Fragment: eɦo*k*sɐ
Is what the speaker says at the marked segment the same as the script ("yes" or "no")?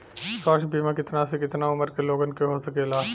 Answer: no